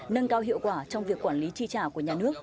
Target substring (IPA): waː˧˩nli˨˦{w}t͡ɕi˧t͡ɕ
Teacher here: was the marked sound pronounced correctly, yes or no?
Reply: no